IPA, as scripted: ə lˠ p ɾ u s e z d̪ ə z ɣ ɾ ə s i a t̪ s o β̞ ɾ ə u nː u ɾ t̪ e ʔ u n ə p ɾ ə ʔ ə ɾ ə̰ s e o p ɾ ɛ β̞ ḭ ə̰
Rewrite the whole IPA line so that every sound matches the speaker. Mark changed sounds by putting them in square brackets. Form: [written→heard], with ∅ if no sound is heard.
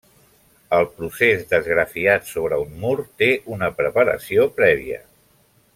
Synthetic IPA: ə lˠ p ɾ u s e z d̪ ə z ɣ ɾ ə [s→f] i a t̪ s o β̞ ɾ ə u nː u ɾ t̪ e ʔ u n ə p ɾ ə [ʔ→p] ə ɾ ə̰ s [e→i] o p ɾ ɛ β̞ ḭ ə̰